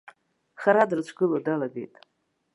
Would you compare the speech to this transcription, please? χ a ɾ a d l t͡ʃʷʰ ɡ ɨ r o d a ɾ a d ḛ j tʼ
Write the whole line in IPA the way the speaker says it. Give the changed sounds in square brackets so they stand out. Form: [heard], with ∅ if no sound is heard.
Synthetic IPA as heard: χ a ɾ a d [r] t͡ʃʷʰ ɡ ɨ [l] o d a [l] a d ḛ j tʼ